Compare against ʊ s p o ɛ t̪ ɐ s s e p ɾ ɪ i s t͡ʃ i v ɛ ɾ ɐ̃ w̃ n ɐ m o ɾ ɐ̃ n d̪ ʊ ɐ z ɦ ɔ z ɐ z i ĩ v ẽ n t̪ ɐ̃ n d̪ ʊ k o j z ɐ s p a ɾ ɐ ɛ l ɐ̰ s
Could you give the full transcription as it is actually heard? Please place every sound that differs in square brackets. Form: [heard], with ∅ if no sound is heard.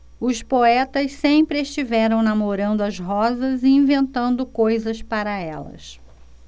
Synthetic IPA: ʊ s p o ɛ t̪ ɐ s s [ẽ] p ɾ ɪ [e] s t͡ʃ i v ɛ ɾ ɐ̃ w̃ n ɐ m o ɾ ɐ̃ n d̪ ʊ ɐ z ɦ ɔ z ɐ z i ĩ v ẽ n t̪ ɐ̃ n d̪ ʊ k o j z ɐ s p a ɾ ɐ ɛ l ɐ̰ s

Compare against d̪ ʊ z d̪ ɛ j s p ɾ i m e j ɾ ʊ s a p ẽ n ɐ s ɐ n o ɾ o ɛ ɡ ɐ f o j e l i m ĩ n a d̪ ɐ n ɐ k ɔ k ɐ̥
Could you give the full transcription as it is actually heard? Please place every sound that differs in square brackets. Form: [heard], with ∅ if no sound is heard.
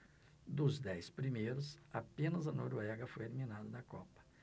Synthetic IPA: d̪ ʊ z d̪ ɛ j s p ɾ i m e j ɾ ʊ s a p ẽ n ɐ [z] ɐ n o ɾ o ɛ ɡ ɐ f o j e l i m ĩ n a d̪ ɐ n ɐ k ɔ [p] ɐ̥

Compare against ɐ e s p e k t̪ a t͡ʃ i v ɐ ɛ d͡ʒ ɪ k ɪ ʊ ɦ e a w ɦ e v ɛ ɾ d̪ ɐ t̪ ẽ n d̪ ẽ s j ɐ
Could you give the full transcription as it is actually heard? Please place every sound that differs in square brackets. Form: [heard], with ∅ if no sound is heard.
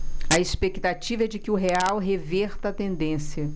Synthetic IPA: ɐ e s p e k t̪ a t͡ʃ i v ɐ ɛ d͡ʒ ɪ k ɪ ʊ ɦ e a w ɦ e v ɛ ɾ [t̪] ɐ t̪ ẽ n d̪ ẽ s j ɐ

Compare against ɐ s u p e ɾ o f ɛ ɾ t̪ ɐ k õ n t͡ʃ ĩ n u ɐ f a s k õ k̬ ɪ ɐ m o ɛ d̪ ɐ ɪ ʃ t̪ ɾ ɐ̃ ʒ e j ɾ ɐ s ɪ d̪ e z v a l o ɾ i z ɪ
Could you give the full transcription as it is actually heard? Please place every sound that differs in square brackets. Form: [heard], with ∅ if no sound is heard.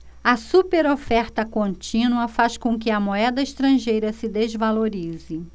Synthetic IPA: ɐ s u p e ɾ o f ɛ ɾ t̪ ɐ k õ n t͡ʃ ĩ n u ɐ f a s k õ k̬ ɪ ɐ m o ɛ d̪ ɐ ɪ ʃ t̪ ɾ ɐ̃ ʒ e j ɾ ɐ s ɪ d̪ e z v a l o ɾ i z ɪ

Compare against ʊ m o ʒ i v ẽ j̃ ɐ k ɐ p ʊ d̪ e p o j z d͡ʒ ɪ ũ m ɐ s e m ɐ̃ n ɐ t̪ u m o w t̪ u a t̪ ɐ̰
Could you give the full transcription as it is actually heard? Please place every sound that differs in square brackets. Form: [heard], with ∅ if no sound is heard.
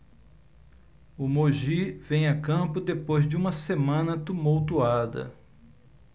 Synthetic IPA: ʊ m o ʒ i v ẽ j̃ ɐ k [ɐ̃] p ʊ d̪ e p o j z d͡ʒ ɪ ũ m ɐ s e m ɐ̃ n ɐ t̪ u m o w t̪ u a [d̪] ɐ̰

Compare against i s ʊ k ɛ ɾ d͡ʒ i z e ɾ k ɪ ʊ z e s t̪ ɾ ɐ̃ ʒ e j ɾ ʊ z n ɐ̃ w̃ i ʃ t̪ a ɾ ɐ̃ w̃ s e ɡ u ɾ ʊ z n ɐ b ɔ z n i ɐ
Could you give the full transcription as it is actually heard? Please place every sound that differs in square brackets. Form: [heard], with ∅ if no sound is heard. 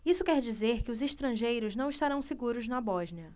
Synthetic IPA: i s ʊ k ɛ ɾ d͡ʒ i z e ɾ k ɪ ʊ z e [ʃ] t̪ ɾ ɐ̃ ʒ e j ɾ ʊ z n ɐ̃ w̃ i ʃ t̪ a ɾ ɐ̃ w̃ s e ɡ u ɾ ʊ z n ɐ b ɔ [ʒ] n i ɐ

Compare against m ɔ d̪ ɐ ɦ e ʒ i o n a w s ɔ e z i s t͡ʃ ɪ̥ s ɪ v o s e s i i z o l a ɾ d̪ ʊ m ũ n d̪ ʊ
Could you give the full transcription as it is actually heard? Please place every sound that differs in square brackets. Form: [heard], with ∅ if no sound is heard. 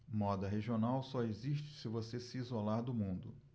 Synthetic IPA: m ɔ d̪ ɐ ɦ e ʒ i o n a w s ɔ e z i [ʃ] t͡ʃ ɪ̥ s ɪ v o s e s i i z o l a ɾ d̪ ʊ m ũ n d̪ ʊ

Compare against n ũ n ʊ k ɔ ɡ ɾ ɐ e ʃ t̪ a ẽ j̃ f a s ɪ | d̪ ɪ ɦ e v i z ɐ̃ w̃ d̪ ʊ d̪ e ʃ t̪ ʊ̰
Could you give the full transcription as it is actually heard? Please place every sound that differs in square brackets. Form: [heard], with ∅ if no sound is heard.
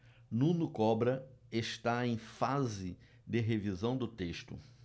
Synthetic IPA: n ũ n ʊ k ɔ [b] ɾ ɐ e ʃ t̪ a ẽ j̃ f a [z] ɪ | d̪ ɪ ɦ e v i z ɐ̃ w̃ d̪ ʊ [t̪] e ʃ t̪ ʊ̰

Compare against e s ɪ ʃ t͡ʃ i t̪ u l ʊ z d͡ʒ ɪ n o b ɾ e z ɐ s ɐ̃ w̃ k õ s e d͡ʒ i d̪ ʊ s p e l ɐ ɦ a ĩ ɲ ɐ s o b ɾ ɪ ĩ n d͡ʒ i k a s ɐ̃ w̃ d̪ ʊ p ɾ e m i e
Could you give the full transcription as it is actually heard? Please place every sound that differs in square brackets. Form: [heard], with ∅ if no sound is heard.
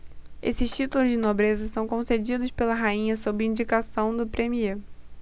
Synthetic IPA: e s ɪ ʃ t͡ʃ i t̪ u l ʊ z d͡ʒ ɪ n o b ɾ e z ɐ s ɐ̃ w̃ k õ s e d͡ʒ i d̪ ʊ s p e l ɐ ɦ a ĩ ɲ ɐ s o b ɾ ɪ ĩ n d͡ʒ i k a s ɐ̃ w̃ d̪ ʊ p ɾ e m i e

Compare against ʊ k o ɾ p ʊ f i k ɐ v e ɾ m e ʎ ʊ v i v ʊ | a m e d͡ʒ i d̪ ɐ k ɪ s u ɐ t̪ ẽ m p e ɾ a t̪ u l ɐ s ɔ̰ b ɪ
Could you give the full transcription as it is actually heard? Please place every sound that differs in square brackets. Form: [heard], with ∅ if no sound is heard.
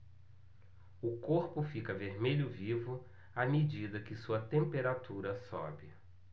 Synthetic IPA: ʊ k o ɾ p ʊ f i k ɐ v e ɾ m e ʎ ʊ v i v ʊ | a m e d͡ʒ i d̪ ɐ k ɪ s u ɐ t̪ ẽ m p e ɾ a t̪ u [ɾ] ɐ s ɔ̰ b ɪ

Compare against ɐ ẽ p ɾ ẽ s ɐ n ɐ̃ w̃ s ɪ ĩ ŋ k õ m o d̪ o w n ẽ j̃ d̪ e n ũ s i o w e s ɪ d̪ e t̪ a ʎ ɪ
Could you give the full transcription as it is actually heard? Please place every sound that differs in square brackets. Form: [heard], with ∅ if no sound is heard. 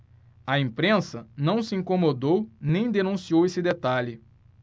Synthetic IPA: ɐ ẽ p ɾ ẽ s ɐ n ɐ̃ w̃ s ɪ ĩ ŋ k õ m o d̪ o w n ẽ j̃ d̪ e n ũ s i o w e s ɪ d̪ e t̪ a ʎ ɪ

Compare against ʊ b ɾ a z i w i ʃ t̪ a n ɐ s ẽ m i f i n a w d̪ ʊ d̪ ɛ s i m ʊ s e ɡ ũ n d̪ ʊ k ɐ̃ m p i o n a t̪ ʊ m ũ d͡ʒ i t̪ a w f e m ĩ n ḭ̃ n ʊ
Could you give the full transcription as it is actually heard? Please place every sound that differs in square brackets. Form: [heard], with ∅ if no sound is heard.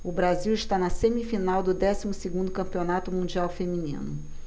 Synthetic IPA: ʊ b ɾ a z i w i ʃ t̪ a n ɐ s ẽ m i f i n a w d̪ ʊ d̪ ɛ s i m ʊ s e ɡ ũ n d̪ ʊ k ɐ̃ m p i o n a t̪ ʊ m ũ d͡ʒ i [∅] a w f e m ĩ n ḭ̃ n ʊ

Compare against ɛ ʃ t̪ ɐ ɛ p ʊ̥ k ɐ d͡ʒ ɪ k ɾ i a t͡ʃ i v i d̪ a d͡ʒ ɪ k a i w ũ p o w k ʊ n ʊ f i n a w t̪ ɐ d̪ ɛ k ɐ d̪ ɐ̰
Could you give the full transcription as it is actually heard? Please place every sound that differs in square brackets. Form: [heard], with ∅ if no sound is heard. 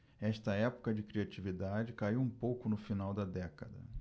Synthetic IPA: ɛ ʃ t̪ ɐ ɛ p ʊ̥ k ɐ d͡ʒ ɪ k ɾ i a t͡ʃ i v i d̪ a d͡ʒ ɪ k a i w ũ p o w k ʊ n ʊ f i n a w [d̪] ɐ d̪ ɛ k ɐ d̪ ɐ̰

